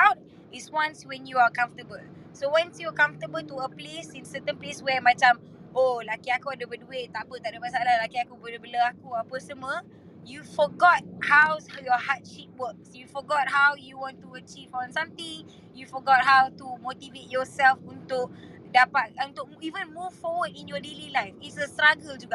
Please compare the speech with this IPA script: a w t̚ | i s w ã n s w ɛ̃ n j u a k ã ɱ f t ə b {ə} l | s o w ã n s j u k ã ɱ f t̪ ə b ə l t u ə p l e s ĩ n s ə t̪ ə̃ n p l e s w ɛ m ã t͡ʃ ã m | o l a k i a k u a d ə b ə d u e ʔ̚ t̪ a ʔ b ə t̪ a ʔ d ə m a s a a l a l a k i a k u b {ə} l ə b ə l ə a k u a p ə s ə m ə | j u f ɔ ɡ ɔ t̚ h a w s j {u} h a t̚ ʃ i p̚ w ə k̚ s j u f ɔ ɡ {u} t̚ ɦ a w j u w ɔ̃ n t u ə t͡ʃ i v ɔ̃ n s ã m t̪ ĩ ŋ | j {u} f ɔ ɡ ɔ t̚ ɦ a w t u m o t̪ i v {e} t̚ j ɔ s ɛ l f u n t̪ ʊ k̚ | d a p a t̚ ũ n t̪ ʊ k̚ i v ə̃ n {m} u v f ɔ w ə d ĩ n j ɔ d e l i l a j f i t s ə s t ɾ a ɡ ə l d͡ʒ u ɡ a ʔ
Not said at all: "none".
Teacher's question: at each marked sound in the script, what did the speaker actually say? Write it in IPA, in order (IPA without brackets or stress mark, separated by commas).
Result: ə, ə, ɔ, ɔ, u, e, m